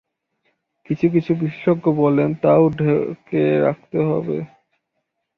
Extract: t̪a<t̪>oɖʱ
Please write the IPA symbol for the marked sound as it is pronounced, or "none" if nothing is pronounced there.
none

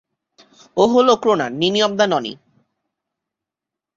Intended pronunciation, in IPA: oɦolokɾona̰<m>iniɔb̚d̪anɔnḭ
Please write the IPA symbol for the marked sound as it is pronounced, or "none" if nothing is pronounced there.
n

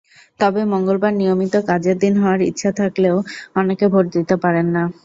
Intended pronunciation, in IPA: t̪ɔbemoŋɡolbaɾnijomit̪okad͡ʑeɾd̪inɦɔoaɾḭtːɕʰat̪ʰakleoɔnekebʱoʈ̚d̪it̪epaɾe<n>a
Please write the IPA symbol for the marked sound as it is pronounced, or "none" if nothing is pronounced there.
nː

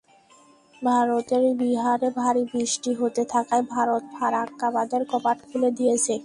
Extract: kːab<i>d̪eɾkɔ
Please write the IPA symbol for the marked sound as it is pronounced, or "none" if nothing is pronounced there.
a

